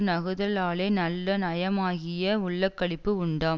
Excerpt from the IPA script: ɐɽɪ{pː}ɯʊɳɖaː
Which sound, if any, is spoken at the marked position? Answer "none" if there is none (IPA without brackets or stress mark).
pː